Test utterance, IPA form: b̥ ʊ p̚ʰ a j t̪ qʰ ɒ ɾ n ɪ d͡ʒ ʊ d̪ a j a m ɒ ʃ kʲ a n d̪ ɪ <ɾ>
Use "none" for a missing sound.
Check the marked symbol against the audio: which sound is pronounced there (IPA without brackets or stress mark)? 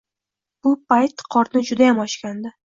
none